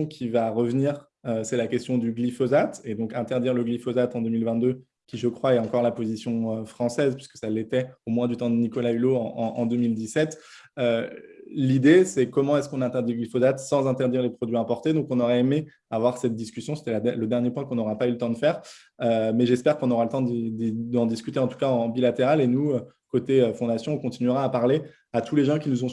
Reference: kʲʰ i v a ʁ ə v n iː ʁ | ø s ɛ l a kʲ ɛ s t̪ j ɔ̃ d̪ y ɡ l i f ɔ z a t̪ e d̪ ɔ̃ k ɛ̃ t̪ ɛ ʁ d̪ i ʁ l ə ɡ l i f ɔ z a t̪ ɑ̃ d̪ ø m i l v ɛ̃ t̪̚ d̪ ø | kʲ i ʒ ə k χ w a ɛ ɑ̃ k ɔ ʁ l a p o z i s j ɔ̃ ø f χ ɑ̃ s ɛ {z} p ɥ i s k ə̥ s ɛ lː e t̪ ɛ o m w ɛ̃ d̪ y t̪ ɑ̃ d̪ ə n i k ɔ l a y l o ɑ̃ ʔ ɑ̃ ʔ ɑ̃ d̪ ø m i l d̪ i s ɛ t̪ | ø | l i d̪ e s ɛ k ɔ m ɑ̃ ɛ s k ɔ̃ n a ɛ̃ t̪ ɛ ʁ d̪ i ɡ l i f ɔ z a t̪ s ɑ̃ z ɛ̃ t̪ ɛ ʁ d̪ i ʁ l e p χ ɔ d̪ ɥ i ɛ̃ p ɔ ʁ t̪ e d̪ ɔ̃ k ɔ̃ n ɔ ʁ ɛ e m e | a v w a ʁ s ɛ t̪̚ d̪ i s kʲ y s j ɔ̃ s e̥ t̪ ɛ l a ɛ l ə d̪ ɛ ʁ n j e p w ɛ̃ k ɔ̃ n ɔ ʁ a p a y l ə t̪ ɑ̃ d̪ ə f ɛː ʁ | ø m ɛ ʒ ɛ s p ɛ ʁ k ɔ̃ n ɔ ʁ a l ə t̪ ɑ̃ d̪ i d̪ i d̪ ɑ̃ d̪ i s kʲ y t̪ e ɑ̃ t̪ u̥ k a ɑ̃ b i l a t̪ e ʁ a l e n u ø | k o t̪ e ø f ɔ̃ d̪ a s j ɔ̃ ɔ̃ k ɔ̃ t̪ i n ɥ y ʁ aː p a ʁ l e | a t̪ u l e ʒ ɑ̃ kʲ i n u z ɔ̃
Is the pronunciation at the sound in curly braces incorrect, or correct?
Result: correct